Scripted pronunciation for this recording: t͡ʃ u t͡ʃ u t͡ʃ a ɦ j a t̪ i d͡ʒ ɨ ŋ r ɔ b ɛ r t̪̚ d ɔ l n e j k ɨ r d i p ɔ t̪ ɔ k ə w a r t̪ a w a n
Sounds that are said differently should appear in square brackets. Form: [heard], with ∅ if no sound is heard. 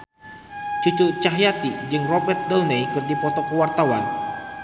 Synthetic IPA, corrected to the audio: t͡ʃ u t͡ʃ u t͡ʃ a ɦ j a t̪ i d͡ʒ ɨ ŋ r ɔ b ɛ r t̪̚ d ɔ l n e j k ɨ r d i p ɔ t̪ ɔ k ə w a r t̪ a w a n